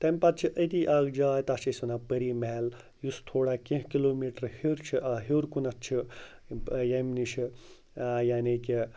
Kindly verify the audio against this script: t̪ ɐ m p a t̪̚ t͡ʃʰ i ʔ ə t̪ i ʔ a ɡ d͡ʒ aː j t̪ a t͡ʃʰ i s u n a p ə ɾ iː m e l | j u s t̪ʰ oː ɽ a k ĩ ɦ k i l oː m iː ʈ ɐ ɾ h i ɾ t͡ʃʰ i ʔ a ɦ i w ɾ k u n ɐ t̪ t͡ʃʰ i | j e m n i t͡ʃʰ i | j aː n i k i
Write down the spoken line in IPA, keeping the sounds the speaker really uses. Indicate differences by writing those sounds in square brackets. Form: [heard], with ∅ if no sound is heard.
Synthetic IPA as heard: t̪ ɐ m p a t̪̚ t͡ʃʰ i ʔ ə t̪ i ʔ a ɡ d͡ʒ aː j t̪ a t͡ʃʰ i s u n a p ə ɾ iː m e l | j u s t̪ʰ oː ɽ a k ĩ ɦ k i l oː m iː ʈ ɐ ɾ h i ɾ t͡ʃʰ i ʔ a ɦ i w ɾ k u n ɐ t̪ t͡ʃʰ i | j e m n i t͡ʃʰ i | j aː n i k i